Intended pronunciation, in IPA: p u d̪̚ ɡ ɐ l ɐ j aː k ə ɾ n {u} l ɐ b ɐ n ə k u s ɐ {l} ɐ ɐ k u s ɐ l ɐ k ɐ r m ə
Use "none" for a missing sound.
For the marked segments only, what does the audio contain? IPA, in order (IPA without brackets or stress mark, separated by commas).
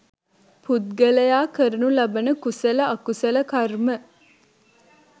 u, l